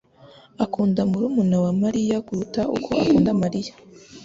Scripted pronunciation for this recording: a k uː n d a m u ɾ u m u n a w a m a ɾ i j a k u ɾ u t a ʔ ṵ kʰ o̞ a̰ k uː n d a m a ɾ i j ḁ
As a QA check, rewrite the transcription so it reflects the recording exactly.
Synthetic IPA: a k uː n d a m u ɾ u m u n a w a m a ɾ i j a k u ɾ u t a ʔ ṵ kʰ o̞ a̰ k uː n d a m a ɾ i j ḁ